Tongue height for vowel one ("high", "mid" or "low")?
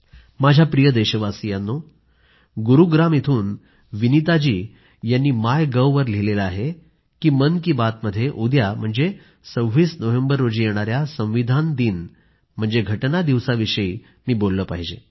low